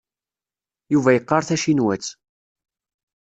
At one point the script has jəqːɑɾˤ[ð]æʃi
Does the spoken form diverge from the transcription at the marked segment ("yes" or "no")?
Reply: yes